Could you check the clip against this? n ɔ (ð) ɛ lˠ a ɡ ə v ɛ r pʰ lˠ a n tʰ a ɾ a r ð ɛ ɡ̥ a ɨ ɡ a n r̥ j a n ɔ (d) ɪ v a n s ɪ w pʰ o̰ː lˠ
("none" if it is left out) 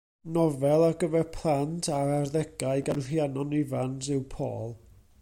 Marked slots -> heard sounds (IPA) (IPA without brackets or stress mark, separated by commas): v, n